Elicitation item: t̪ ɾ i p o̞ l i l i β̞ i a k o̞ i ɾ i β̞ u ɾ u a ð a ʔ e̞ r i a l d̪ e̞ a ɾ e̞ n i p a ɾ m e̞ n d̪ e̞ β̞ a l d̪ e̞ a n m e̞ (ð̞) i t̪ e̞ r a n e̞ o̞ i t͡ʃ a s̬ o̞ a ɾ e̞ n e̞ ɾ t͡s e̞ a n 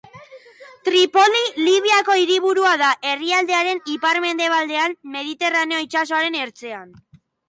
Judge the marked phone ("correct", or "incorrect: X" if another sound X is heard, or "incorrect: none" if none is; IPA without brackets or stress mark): correct